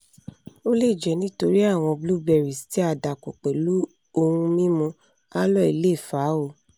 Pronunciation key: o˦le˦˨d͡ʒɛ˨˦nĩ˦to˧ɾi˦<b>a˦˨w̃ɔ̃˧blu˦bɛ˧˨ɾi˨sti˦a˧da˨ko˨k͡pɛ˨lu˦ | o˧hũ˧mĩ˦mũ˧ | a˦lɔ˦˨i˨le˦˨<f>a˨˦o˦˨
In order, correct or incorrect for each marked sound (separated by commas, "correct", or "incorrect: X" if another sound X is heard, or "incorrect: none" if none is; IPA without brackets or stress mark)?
incorrect: none, correct